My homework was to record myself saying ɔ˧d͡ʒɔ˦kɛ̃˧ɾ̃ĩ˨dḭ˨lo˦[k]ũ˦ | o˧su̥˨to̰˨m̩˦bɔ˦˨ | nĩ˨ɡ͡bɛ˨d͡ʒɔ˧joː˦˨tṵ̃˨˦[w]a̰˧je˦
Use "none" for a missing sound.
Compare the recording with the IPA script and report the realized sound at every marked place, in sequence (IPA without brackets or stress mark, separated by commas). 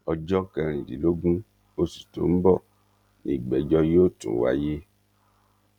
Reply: ɡ, w